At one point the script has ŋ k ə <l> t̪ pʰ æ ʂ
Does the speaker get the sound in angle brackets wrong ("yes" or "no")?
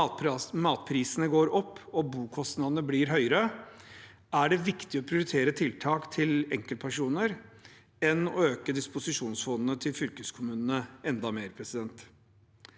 no